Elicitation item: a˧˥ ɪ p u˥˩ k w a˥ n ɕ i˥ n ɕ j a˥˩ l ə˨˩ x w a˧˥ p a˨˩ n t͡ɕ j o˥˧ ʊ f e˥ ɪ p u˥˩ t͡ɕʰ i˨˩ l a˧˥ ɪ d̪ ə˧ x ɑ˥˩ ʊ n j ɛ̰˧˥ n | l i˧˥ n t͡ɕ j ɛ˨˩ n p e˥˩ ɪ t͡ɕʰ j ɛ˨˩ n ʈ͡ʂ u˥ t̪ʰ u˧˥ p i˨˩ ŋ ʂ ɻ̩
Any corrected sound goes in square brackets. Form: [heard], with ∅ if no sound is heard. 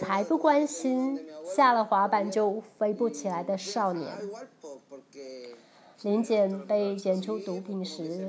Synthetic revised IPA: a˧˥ ɪ p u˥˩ k w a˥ n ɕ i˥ n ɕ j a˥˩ l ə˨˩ x w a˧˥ p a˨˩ n t͡ɕ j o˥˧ ʊ f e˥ ɪ p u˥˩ t͡ɕʰ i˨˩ l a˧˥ ɪ d̪ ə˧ [ʂ] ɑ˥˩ ʊ n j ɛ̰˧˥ n | l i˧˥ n t͡ɕ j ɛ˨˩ n p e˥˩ ɪ [t͡ɕ] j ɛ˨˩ n [ʈ͡ʂʰ] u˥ [t̪] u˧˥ p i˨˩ ŋ ʂ ɻ̩